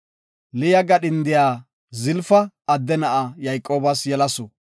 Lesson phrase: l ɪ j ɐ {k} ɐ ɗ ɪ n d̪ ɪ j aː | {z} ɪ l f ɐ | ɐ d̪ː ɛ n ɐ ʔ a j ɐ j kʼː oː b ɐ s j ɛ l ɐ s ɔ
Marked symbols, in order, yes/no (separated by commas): no, yes